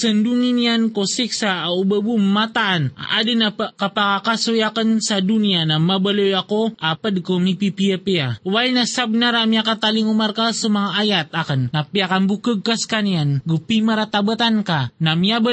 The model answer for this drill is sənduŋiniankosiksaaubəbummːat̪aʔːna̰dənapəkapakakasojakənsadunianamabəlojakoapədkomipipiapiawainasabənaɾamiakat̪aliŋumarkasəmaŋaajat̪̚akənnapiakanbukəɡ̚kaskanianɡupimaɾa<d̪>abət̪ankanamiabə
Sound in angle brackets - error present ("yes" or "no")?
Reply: yes